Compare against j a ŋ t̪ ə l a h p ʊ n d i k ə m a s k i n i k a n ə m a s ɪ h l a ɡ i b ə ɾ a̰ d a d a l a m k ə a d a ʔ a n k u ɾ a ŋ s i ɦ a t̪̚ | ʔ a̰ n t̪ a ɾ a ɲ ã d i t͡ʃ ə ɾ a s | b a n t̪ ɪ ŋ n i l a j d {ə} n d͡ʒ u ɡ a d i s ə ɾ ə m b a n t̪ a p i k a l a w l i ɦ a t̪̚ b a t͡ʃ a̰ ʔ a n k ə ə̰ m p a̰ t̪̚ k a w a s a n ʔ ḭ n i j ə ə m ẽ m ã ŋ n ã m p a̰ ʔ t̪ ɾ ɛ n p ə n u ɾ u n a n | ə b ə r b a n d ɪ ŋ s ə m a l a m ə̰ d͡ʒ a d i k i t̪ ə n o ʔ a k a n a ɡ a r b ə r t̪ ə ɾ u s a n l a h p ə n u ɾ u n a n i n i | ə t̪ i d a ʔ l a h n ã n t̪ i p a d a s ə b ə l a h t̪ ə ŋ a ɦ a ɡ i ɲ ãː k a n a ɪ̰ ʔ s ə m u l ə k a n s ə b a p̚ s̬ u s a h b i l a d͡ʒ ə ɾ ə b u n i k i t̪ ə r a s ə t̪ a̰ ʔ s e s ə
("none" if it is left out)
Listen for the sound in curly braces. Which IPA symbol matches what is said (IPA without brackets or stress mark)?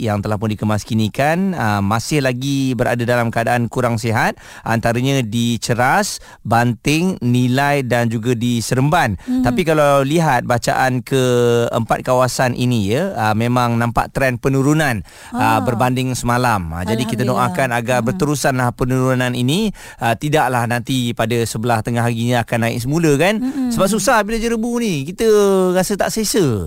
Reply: a